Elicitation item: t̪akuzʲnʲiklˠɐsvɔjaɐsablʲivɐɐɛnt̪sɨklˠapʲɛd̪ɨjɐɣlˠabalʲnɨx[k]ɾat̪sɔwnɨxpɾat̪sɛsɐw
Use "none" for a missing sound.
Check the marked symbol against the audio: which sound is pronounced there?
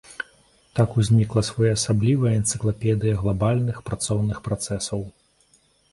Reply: p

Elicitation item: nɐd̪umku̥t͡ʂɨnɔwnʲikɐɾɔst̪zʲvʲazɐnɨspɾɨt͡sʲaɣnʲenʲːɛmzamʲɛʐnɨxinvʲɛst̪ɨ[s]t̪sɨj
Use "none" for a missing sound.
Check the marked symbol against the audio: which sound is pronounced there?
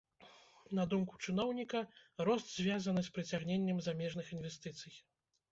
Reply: none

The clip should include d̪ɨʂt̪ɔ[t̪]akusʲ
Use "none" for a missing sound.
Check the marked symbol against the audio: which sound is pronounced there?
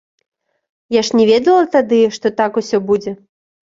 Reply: t̪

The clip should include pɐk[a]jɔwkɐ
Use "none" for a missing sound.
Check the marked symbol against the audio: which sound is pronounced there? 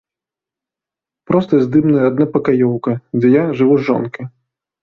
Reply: a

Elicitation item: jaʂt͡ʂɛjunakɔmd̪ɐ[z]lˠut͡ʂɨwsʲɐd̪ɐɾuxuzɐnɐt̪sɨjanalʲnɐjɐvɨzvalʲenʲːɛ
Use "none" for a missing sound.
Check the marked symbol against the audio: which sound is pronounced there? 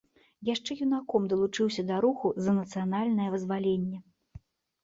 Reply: none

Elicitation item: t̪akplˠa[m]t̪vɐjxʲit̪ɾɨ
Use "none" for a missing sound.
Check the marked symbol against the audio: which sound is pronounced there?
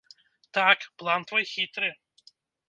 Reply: n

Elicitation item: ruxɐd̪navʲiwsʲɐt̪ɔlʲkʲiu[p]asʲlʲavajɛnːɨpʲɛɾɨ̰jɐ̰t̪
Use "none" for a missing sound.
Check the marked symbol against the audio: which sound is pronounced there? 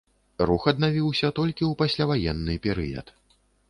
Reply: p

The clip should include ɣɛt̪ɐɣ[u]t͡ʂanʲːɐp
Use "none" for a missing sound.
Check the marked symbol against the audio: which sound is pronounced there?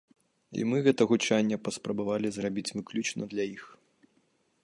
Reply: u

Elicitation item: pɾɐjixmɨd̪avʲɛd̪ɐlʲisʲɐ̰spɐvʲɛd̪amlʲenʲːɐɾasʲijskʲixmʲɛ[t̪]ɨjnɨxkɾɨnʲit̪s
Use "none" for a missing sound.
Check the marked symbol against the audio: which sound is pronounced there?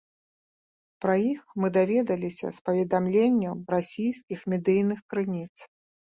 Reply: d̪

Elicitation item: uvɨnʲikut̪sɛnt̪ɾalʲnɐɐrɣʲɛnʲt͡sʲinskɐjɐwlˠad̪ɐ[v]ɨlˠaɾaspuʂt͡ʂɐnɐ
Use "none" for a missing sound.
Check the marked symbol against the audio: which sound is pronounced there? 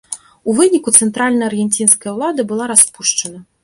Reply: b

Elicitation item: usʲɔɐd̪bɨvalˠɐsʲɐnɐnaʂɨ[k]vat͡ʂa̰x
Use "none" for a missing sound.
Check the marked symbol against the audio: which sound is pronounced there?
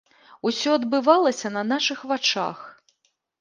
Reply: x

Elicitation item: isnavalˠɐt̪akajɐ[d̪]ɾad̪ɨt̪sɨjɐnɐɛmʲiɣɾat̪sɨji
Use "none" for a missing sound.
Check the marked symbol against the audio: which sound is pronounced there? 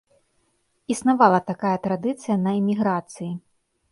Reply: t̪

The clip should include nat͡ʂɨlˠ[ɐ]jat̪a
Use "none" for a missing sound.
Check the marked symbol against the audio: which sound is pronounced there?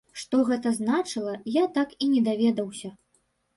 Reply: ɐ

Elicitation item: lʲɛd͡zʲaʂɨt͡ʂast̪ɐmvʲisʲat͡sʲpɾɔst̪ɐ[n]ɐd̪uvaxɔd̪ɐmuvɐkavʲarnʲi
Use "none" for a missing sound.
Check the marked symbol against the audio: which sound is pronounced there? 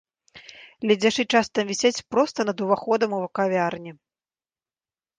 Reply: n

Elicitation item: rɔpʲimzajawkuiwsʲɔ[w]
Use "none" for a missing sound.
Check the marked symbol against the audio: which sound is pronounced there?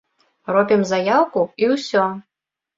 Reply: none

